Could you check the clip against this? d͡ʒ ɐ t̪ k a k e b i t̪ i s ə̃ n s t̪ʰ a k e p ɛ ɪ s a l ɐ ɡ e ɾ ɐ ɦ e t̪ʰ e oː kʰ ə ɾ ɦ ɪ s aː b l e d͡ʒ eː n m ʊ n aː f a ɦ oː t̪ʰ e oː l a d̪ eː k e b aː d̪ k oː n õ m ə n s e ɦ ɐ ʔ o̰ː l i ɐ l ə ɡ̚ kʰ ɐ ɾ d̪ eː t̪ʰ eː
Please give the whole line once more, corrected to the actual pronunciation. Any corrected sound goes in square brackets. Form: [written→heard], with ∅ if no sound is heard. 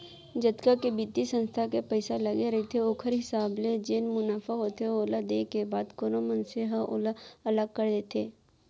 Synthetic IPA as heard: d͡ʒ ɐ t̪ k a k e b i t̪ i s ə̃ n s t̪ʰ a k e p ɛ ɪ s a l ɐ ɡ e ɾ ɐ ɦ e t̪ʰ e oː kʰ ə ɾ ɦ ɪ s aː b l e d͡ʒ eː n m ʊ n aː f a ɦ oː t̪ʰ e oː l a d̪ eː k e b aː d̪ k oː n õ m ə n s e ɦ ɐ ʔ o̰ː l [i→a] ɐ l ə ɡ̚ [kʰ→k] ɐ ɾ d̪ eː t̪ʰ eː